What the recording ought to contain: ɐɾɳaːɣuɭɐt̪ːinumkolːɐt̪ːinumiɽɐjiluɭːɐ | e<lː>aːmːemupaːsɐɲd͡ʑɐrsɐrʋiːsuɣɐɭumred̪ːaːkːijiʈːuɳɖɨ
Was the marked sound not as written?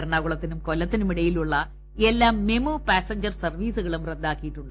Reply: no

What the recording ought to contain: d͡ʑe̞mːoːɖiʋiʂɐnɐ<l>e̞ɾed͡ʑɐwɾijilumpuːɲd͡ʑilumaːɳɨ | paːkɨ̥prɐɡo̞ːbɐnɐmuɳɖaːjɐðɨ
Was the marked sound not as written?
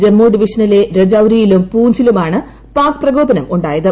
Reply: no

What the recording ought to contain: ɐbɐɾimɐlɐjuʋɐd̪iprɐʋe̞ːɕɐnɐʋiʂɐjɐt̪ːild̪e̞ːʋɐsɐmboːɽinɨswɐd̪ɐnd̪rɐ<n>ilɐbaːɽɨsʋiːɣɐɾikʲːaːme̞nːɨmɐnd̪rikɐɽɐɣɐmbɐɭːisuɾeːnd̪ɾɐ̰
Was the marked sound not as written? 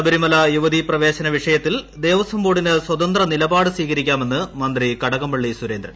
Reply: no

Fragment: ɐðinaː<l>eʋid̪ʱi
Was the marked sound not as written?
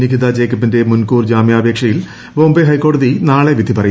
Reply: yes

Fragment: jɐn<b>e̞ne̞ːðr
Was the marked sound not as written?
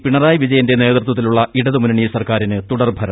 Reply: yes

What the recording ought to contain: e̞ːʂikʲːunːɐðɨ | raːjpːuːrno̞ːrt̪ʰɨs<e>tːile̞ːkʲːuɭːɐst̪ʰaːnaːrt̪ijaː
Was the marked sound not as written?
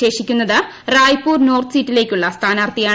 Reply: yes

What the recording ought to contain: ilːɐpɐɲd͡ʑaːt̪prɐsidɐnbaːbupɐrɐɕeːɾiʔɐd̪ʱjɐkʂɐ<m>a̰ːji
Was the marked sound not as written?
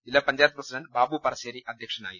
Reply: yes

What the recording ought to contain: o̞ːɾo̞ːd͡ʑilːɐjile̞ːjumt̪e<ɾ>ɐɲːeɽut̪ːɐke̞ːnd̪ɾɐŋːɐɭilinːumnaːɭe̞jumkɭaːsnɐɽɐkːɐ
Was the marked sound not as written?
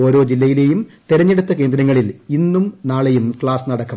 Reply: no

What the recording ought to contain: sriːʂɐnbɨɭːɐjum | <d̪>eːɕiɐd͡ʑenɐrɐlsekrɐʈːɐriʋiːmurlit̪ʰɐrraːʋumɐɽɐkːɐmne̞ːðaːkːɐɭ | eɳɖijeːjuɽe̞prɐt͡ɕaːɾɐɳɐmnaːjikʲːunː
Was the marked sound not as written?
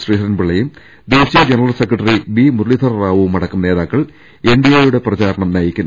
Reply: no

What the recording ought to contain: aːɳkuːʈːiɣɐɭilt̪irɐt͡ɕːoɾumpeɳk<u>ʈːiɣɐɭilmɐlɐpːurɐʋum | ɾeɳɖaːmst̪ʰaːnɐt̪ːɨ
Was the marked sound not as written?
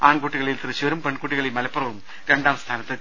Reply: yes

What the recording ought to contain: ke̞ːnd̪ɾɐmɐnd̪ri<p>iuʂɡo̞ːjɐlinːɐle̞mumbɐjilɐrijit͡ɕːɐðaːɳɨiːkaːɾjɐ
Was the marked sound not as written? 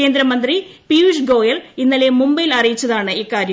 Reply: no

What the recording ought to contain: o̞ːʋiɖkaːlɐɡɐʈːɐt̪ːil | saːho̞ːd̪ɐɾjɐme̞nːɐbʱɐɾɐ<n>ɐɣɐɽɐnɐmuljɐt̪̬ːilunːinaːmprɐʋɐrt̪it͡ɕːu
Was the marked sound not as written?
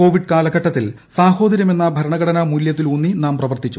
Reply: yes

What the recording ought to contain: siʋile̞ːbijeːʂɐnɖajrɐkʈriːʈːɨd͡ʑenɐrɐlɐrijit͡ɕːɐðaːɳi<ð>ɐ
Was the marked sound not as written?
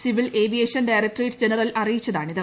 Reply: no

